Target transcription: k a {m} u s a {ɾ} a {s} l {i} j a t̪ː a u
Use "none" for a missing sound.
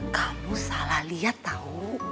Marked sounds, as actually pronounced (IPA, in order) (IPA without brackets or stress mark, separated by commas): m, l, h, i